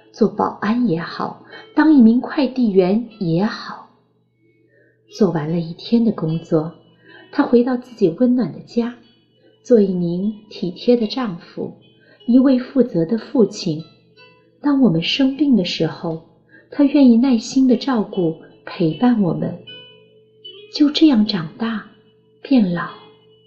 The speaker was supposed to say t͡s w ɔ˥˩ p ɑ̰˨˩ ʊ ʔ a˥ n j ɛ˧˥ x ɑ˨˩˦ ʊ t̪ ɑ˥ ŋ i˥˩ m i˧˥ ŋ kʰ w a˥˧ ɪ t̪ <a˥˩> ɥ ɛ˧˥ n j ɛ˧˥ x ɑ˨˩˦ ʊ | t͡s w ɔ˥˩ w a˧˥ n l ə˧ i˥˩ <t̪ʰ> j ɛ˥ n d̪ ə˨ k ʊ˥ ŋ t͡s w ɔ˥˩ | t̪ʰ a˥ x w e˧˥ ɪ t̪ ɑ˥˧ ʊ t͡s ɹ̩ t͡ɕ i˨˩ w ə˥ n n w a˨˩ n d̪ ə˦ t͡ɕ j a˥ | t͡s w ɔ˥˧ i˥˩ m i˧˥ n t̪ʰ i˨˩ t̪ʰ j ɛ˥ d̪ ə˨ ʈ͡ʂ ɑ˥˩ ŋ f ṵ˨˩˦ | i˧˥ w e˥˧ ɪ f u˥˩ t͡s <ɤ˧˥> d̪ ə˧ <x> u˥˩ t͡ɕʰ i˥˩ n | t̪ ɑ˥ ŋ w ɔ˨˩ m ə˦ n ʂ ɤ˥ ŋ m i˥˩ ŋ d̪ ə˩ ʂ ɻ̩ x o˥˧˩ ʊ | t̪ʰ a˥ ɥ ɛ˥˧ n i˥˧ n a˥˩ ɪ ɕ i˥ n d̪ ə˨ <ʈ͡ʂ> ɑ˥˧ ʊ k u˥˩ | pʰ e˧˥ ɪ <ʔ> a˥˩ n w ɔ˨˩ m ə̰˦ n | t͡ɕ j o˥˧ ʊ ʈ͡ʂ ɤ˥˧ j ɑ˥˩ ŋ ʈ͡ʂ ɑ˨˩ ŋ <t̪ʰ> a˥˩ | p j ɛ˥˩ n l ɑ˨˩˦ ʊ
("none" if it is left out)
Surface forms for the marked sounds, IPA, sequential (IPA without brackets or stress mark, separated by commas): i˥˩, t̪ʰ, ɤ˧˥, f, ʈ͡ʂ, p, t̪